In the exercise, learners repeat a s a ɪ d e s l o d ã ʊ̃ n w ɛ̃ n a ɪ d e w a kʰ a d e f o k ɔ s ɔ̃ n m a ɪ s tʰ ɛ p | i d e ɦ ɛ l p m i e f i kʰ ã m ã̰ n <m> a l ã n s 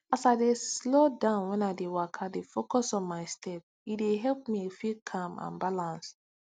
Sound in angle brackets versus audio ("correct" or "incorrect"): incorrect